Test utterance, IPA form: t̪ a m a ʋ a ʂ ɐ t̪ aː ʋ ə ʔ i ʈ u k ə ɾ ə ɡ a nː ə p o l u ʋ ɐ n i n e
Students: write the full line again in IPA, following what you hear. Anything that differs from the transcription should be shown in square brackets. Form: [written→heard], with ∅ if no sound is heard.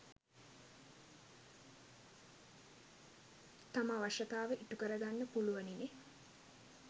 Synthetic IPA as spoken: t̪ a m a ʋ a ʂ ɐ t̪ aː ʋ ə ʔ i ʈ u k ə ɾ ə ɡ a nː ə p [o→u] l u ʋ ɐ n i n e